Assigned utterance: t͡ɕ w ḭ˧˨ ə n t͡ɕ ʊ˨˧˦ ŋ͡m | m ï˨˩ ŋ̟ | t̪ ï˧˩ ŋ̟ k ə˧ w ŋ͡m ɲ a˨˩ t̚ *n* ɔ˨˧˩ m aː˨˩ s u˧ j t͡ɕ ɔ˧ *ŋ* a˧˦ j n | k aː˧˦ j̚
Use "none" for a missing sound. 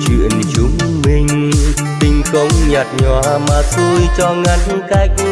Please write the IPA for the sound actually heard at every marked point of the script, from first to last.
ɲ, ŋ

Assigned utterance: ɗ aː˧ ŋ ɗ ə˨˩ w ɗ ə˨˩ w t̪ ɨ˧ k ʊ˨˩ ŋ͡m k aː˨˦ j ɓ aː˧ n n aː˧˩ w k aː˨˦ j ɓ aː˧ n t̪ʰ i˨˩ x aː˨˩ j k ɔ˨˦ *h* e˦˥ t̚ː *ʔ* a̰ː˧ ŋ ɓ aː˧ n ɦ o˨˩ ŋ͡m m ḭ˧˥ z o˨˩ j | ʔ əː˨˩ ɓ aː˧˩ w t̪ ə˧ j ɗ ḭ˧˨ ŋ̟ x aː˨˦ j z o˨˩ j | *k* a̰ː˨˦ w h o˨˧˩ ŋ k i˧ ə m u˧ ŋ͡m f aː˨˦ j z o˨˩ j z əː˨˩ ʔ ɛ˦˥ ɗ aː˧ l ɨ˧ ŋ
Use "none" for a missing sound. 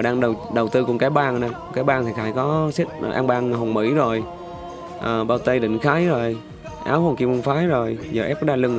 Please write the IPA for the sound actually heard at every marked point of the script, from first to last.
s, ʔ, ʔ

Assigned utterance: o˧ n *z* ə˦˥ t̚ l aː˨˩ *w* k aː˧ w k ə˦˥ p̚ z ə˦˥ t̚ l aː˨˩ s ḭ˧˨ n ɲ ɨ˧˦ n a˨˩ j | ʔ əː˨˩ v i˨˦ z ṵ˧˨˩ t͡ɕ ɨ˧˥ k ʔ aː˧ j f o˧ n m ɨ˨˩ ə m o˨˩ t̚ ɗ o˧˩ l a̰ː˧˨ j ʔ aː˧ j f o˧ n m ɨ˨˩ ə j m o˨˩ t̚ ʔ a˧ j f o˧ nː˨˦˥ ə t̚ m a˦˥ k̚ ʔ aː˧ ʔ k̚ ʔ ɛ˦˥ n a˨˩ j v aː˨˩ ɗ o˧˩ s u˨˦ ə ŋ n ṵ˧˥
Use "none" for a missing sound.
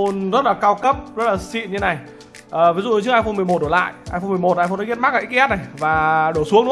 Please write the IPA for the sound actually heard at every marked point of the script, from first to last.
z, none

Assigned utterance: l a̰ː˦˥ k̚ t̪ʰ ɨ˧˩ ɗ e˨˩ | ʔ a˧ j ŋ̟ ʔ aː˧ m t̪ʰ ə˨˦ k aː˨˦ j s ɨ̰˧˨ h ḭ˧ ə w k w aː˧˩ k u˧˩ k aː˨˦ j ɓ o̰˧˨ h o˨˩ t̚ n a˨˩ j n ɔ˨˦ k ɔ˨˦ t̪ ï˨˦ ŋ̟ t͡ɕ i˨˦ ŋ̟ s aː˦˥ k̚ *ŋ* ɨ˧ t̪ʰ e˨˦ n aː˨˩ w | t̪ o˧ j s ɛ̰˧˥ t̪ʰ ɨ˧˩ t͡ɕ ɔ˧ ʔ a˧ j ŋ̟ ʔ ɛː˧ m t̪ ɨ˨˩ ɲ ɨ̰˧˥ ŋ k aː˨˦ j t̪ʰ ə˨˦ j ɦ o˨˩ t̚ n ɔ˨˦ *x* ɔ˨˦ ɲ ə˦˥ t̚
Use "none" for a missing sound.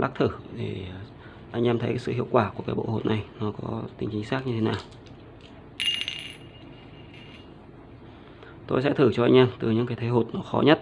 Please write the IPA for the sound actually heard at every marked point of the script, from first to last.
ɲ, x

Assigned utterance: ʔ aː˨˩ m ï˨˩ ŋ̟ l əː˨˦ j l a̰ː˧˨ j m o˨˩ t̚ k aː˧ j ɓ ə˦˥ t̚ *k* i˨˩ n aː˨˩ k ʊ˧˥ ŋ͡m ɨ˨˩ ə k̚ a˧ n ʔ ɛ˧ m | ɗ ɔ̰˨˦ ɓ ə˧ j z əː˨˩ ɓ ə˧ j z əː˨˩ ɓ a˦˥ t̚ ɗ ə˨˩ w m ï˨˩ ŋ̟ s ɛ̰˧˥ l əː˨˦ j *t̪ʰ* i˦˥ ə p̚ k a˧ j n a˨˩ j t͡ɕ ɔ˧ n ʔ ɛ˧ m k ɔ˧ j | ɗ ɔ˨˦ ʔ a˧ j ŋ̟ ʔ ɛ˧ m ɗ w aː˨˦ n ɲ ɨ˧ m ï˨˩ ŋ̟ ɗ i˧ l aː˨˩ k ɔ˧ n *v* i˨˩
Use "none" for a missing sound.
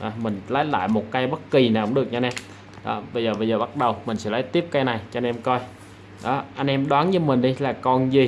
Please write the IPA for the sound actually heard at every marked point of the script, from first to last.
k, t̪, z

